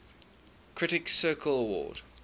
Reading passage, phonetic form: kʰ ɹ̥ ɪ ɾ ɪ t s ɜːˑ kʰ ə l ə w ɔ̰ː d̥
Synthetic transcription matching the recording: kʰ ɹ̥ ɪ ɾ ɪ k s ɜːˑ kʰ ə l ə w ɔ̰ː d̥